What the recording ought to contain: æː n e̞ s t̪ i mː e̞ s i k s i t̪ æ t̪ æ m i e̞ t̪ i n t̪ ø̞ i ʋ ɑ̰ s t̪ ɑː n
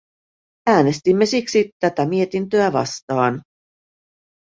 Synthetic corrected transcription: æː n e̞ s t̪ i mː e̞ s i k s i t̪ æ t̪ æ m i e̞ t̪ i n t̪ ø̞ æ ʋ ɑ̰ s t̪ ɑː n